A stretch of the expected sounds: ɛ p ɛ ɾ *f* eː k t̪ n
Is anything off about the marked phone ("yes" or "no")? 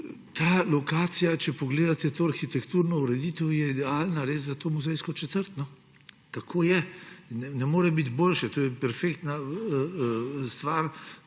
no